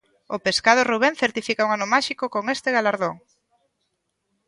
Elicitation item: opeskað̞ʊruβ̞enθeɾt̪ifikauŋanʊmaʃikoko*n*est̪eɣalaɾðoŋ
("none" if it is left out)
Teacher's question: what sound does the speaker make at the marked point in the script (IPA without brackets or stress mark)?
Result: ŋ